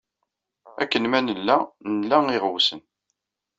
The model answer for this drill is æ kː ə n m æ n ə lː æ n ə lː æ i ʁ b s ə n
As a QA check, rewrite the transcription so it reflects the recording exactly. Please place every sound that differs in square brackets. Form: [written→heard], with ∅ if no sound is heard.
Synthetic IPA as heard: æ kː ə n m æ n ə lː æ n ə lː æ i ʁ [b→w] s ə n